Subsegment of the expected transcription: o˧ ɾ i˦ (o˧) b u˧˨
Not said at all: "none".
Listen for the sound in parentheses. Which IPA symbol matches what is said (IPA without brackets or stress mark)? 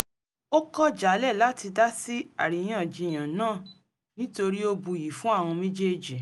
o˧